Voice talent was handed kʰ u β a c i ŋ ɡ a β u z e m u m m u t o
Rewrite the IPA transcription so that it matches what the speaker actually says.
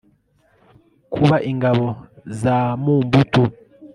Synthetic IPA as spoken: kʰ u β a ʔ i ŋ ɡ a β ɔ z a m u m b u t u

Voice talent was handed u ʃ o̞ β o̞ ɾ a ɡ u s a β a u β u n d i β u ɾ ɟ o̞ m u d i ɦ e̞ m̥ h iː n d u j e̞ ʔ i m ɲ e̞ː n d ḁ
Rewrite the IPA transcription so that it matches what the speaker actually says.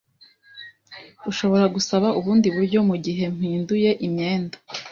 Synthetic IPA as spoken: u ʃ o̞ β o̞ ɾ a ɡ u s a β a u β uː n d i β u ɾ ɟ o̞ m u ɟ i ɦ e̞ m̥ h iː n d u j e̞ ʔ i m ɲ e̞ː n d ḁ

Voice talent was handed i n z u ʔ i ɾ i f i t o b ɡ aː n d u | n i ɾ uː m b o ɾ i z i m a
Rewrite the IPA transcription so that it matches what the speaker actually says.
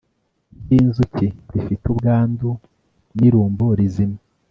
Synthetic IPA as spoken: i n z u c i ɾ i f i t u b ɡ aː n d u | n i ɾ uː m b o ɾ i z i m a

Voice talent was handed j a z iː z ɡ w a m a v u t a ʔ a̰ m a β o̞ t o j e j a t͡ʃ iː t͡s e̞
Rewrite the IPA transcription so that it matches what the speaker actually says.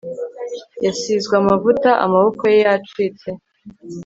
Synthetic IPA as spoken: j a s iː z ɡ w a m a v u t a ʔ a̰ m a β o̞ k o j e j a t͡ʃ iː t͡s e̞

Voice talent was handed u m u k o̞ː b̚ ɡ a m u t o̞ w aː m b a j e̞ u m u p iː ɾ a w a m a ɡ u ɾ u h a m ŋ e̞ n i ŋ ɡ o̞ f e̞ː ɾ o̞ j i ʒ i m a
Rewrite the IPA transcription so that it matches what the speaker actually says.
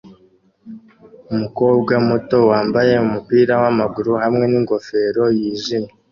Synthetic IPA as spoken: u m u k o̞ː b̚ ɡ a m u t o̞ w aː m b a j e̞ u m u p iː ɾ a w a m a ɡ u ɾ u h a m ŋ e̞ n i ŋ ɡ o̞ f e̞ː ɾ o̞ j i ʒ i m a

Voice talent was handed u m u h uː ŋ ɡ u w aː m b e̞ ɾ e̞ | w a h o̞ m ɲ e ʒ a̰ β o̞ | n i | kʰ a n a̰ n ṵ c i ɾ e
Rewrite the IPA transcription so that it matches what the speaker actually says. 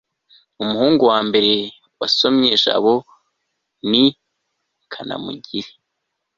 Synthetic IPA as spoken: u m u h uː ŋ ɡ u w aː m b e̞ ɾ e̞ | w a s o̞ m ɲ e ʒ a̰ β o̞ | n i | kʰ a n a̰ m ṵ ɟ i ɾ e

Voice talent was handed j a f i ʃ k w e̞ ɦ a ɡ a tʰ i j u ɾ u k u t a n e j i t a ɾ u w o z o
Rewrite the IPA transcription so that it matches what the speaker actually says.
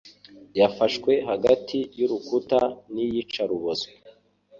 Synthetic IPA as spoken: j a f a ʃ k w e̞ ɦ a ɡ a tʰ i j u ɾ u k u t a n i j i t͡ʃ a ɾ u β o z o

